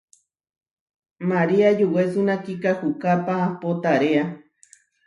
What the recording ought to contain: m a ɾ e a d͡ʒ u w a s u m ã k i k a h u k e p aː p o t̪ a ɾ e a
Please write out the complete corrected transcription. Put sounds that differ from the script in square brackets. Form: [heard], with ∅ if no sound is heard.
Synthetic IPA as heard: m a ɾ [i] a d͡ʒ u w [e] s u [n] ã k i k a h u k [a] p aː p o t̪ a ɾ e a